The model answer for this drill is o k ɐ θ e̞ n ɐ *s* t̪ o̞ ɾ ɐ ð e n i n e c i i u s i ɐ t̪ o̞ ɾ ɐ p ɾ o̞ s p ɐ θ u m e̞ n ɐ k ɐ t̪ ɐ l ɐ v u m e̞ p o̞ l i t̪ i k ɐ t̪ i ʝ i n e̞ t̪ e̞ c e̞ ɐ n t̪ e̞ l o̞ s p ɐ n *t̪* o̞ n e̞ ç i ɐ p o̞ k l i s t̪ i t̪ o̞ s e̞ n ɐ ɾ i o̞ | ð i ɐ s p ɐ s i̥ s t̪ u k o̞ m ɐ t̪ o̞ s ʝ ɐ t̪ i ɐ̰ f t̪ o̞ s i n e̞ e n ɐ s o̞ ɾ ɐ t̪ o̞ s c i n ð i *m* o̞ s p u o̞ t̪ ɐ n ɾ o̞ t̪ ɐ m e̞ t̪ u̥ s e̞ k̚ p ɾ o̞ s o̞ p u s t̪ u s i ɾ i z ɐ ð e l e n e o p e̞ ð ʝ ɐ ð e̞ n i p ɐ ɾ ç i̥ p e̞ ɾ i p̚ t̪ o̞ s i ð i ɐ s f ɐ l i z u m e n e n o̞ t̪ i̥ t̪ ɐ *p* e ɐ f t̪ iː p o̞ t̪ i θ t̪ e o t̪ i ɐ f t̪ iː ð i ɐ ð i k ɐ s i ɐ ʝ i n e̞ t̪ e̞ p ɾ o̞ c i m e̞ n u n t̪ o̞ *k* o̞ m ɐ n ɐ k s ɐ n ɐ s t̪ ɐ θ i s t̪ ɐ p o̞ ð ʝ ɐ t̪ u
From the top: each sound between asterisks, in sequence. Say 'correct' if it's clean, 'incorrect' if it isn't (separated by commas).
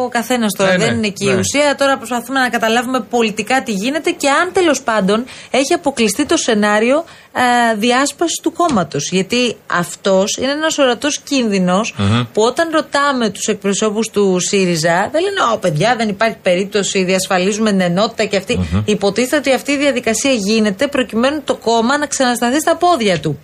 correct, incorrect, incorrect, incorrect, correct